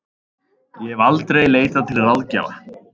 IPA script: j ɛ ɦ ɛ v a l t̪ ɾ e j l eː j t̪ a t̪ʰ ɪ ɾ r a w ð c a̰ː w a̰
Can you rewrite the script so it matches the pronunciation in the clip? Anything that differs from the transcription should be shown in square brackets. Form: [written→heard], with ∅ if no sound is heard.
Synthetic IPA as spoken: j ɛ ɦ ɛ v a l t̪ ɾ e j l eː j t̪ a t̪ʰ ɪ [ɾ→l] r a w ð c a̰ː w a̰